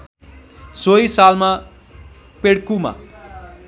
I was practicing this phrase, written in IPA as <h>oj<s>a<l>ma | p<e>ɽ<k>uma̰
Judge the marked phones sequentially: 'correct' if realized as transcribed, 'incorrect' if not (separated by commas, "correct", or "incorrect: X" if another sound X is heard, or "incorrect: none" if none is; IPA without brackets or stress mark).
incorrect: s, correct, correct, correct, correct